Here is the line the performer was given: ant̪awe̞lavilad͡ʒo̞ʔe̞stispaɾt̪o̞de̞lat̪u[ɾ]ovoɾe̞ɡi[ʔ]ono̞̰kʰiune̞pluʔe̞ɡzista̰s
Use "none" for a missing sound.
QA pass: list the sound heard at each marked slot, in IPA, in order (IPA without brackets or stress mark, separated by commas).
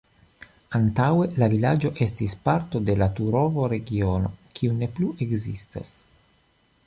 ɾ, none